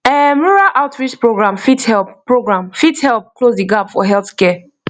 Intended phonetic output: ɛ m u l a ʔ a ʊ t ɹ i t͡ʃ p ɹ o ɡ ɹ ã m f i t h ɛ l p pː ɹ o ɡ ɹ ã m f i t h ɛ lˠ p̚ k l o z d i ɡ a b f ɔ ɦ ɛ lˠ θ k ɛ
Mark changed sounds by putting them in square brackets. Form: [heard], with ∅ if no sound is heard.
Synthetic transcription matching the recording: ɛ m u [ɹ] a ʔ a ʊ t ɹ i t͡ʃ p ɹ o ɡ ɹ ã m f i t h ɛ l p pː ɹ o ɡ ɹ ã m f i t h ɛ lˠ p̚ k l o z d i ɡ a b f ɔ ɦ ɛ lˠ θ k ɛ